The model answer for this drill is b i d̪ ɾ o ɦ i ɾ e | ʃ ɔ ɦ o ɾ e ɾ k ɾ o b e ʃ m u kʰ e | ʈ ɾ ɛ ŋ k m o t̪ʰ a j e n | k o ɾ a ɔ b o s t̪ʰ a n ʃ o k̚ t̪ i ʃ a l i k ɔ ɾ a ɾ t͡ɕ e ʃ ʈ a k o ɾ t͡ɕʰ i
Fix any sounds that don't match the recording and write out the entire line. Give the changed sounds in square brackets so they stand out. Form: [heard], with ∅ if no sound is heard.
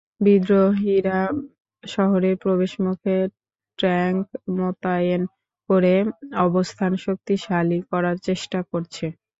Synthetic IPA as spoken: b i d̪ ɾ o ɦ i ɾ [a] | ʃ ɔ ɦ o ɾ e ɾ [p] ɾ o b e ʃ m u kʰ e | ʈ ɾ ɛ ŋ k m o [t̪] a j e n | k o ɾ [e] ɔ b o s t̪ʰ a n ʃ o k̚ t̪ i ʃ a l i k ɔ ɾ a ɾ t͡ɕ e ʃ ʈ a k o ɾ t͡ɕʰ [e]

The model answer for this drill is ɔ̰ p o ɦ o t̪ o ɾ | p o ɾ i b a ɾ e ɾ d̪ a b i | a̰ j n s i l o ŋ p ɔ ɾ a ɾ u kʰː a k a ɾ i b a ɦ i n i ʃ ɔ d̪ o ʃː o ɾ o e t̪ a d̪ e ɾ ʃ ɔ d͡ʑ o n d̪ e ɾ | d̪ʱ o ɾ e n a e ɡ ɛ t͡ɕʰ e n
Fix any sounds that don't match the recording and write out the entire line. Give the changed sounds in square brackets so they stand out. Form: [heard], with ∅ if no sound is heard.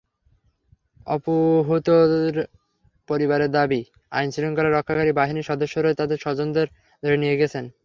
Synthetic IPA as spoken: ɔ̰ p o ɦ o t̪ o ɾ | p o ɾ i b a ɾ e ɾ d̪ a b i | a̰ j n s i l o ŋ [k] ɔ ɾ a ɾ [ɔ] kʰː a k a ɾ i b a ɦ i n i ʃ ɔ d̪ o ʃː o ɾ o e t̪ a d̪ e ɾ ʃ ɔ d͡ʑ o n d̪ e ɾ | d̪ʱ o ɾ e n [i] e ɡ ɛ t͡ɕʰ e n

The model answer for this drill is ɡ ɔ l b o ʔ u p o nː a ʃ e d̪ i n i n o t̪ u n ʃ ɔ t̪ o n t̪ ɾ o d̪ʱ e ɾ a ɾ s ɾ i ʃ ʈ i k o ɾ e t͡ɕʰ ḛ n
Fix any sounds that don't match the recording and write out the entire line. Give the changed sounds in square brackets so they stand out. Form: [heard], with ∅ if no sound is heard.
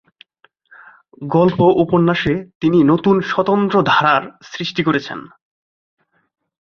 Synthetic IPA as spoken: ɡ ɔ l [p] o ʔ u p o nː a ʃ e [t̪] i n i n o t̪ u n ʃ ɔ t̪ o n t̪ ɾ o d̪ʱ [a] ɾ a ɾ s ɾ i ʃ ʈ i k o ɾ e t͡ɕʰ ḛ n

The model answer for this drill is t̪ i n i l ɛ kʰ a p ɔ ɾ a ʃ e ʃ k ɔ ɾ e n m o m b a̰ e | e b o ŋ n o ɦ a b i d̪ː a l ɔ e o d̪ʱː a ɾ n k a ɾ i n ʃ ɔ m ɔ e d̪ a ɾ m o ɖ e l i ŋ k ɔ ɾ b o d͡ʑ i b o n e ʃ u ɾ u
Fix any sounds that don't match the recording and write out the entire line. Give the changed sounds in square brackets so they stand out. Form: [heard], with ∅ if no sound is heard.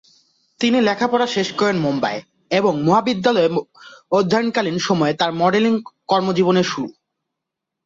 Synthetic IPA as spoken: t̪ i n i l ɛ kʰ a p ɔ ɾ a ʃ e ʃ k ɔ ɾ e n m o m b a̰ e | e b o ŋ [m] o ɦ a b i d̪ː a l ɔ e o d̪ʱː a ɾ n k a [l] i n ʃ ɔ m ɔ e [t̪] a ɾ m [ɔ] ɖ e l i ŋ k ɔ ɾ [m] o d͡ʑ i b o n e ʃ u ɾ u

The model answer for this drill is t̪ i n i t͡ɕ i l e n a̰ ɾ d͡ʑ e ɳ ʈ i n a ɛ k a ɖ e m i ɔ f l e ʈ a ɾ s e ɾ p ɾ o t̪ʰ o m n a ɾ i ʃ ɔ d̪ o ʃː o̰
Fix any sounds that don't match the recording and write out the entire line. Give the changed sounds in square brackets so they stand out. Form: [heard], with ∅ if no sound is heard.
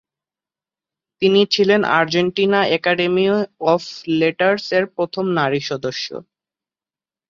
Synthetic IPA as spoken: t̪ i n i [t͡ɕʰ] i l e n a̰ ɾ d͡ʑ e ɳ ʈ i n a ɛ k a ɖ e m i ɔ f l e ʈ a ɾ s e ɾ p ɾ o t̪ʰ o m n a ɾ i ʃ ɔ d̪ o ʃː o̰

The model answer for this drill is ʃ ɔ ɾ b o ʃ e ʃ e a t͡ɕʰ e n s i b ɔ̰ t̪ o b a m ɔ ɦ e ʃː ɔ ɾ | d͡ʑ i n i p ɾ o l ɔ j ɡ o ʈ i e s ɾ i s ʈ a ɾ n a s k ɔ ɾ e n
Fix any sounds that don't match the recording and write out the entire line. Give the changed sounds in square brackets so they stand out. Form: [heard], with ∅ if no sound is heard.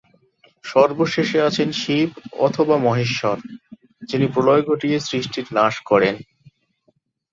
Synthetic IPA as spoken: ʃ ɔ ɾ b o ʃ e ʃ e a t͡ɕʰ e n [ʃ] i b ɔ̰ [t̪ʰ] o b a m ɔ ɦ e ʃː ɔ ɾ | d͡ʑ i n i p ɾ o l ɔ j ɡ o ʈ i e s ɾ i [ʃ] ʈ [i] ɾ n a [ʃ] k ɔ ɾ e n

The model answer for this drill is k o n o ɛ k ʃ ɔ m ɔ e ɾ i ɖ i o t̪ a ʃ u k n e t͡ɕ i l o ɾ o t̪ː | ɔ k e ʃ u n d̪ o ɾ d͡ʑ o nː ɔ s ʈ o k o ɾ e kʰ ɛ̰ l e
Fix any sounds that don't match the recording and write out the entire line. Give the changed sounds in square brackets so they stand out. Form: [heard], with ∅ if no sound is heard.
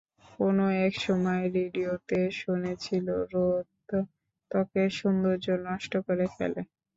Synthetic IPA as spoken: k o n o ɛ k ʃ ɔ m ɔ e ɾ i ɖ i o t̪ [e] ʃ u [∅] n e [t͡ɕʰ] i l o ɾ o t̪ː | ɔ k e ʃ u n d̪ o ɾ d͡ʑ o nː ɔ [ʃ] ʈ o k o ɾ e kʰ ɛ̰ l e

